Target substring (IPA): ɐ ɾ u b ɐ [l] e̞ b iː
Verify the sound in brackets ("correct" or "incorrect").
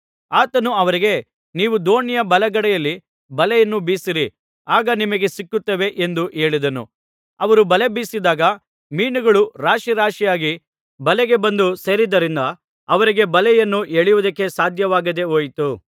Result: correct